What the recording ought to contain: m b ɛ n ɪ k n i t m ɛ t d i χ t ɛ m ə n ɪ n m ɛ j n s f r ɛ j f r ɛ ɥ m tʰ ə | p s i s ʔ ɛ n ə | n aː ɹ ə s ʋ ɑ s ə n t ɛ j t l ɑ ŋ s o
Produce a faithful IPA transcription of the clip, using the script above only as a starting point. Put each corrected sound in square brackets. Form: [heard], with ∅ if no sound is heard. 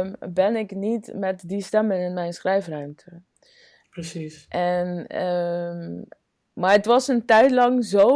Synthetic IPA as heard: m b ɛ n ɪ k n i t m ɛ t d i [s] t ɛ m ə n ɪ n m ɛ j n s [χ] r ɛ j f r [œ] ɥ m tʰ ə | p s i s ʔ ɛ n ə | [m] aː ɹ ə [t] ʋ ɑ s ə n t ɛ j t l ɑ ŋ [z] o